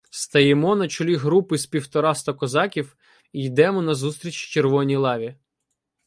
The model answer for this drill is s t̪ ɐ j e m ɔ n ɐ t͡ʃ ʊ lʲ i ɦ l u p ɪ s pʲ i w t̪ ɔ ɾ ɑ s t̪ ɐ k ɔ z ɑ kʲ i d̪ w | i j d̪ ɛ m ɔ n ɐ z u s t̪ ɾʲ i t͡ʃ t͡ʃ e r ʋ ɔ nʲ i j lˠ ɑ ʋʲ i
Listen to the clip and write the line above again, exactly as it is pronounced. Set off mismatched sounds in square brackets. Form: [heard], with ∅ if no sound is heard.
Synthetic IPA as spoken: s t̪ ɐ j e m ɔ n ɐ t͡ʃ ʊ lʲ i ɦ [ɾ] u p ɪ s pʲ i w t̪ ɔ ɾ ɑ s t̪ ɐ k ɔ z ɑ kʲ i [∅] w | i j d̪ ɛ m ɔ n ɐ z u s t̪ ɾʲ i t͡ʃ t͡ʃ e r ʋ ɔ nʲ i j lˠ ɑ ʋʲ i